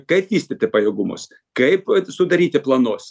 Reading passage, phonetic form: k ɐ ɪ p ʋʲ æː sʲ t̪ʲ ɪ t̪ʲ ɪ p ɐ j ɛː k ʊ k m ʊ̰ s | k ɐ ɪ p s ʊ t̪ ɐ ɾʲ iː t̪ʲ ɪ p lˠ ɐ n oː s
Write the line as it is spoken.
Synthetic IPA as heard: k ɐ ɪ p ʋʲ iː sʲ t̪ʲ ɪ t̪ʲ ɪ p ɐ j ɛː ɡ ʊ m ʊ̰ s | k ɐ ɪ p s ʊ d̪ ɐ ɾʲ iː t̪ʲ ɪ p lˠ ɐ n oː s